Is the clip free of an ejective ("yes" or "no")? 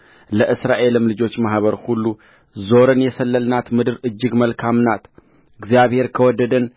yes